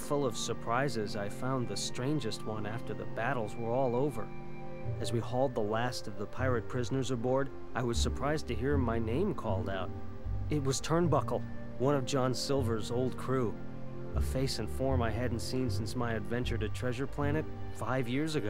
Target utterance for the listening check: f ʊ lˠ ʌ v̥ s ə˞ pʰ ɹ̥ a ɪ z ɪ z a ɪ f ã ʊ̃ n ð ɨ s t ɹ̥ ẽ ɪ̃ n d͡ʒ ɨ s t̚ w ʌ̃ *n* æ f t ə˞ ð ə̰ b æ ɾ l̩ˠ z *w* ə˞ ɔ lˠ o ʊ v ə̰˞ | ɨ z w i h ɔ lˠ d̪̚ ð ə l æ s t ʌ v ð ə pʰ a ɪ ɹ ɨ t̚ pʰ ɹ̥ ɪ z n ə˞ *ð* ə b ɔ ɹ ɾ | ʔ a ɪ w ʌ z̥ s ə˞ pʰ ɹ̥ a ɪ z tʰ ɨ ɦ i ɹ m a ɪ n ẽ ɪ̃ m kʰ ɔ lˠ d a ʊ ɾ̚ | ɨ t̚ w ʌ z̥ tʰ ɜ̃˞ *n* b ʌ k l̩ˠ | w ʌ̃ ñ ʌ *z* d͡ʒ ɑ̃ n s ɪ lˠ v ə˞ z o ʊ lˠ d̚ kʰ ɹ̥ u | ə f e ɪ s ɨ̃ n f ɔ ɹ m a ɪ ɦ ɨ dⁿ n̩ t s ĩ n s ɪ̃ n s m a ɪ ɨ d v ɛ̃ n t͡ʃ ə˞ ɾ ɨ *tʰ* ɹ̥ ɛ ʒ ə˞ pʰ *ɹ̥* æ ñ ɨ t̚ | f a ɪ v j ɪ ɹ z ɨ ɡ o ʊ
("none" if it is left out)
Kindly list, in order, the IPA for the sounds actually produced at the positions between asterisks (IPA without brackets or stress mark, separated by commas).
n, w, z, n, v, tʰ, l̥